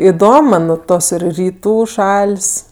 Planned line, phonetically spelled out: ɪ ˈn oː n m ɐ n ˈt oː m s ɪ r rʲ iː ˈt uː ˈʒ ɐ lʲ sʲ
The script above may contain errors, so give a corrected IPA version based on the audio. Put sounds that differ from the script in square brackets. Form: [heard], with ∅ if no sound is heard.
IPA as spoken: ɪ [ˈd] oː [m] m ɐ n ˈt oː [∅] s ɪ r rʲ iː ˈt uː [ˈʃ] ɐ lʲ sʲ